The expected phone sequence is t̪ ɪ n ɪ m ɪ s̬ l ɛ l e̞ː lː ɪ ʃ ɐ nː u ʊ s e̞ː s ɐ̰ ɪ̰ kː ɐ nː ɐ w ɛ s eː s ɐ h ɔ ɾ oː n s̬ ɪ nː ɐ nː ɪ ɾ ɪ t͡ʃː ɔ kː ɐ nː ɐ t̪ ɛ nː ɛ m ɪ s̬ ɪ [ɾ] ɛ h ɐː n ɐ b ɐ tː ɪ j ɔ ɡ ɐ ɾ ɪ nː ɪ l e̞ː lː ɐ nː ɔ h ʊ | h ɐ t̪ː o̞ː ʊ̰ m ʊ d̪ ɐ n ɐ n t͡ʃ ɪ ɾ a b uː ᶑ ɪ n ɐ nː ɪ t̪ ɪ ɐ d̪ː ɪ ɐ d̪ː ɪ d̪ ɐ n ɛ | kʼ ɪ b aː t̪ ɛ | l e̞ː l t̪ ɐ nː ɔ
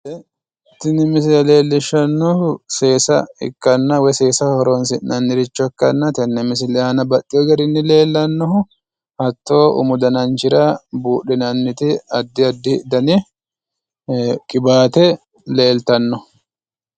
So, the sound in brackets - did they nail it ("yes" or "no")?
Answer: no